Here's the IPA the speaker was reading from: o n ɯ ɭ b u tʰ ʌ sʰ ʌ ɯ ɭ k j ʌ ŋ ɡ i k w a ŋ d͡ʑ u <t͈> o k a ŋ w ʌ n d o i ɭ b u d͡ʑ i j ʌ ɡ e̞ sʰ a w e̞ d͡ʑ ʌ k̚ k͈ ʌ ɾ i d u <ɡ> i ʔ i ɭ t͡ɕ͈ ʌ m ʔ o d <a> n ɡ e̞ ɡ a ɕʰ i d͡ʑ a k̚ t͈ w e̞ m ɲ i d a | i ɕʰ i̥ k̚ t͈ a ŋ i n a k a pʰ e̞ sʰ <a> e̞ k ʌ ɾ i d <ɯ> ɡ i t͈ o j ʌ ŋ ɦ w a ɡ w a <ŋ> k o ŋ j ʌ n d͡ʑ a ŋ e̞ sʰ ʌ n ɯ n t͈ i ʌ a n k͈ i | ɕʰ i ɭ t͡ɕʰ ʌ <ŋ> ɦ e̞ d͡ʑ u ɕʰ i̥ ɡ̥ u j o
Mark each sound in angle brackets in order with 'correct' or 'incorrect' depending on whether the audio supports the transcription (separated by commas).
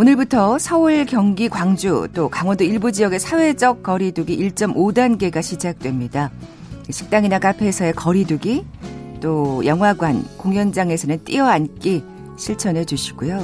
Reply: correct, correct, correct, incorrect, incorrect, incorrect, incorrect